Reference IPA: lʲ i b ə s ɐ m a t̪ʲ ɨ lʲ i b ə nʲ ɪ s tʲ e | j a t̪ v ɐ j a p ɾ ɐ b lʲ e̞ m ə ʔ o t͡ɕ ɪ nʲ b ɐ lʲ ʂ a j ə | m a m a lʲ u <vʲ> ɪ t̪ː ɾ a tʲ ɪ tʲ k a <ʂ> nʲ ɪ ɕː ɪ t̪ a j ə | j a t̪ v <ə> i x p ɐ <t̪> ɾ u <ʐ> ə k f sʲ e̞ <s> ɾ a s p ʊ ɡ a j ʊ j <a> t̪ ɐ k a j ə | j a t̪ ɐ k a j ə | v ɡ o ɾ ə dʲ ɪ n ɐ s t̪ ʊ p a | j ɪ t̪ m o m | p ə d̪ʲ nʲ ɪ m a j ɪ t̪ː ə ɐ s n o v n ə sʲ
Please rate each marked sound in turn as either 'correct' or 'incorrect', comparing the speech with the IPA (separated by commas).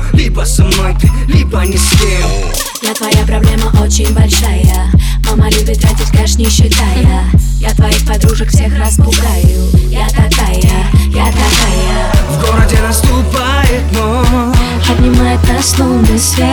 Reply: incorrect, correct, incorrect, incorrect, correct, incorrect, correct